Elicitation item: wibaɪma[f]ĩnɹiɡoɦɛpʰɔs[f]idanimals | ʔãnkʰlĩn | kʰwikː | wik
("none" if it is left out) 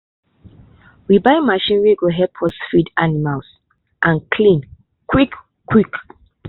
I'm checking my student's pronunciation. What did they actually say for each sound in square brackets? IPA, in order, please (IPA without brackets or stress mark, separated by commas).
ʃ, f